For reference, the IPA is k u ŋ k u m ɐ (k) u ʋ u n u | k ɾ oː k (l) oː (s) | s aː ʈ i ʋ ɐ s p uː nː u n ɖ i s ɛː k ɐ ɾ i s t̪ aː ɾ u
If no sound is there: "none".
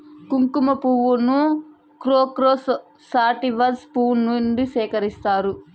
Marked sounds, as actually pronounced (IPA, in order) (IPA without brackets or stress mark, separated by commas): p, ɾ, s